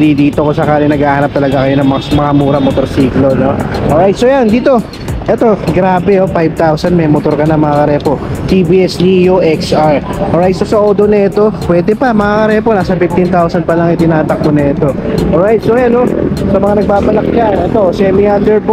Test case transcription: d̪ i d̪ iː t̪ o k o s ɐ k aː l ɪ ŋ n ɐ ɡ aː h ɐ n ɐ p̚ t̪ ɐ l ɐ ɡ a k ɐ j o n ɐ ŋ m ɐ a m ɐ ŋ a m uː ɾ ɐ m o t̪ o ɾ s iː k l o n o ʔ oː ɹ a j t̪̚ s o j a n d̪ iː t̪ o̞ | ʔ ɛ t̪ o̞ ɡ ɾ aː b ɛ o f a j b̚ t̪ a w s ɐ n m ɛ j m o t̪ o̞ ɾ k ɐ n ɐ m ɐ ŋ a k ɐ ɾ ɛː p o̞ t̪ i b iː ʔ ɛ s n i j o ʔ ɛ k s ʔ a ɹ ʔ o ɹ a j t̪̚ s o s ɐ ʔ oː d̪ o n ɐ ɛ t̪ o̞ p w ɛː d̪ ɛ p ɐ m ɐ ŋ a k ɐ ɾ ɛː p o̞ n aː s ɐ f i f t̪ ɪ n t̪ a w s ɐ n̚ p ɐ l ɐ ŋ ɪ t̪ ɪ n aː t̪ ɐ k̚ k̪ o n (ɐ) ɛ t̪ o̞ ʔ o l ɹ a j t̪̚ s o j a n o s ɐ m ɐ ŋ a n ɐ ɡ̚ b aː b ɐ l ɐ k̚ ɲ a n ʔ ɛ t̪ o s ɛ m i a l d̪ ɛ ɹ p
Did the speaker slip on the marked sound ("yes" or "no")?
no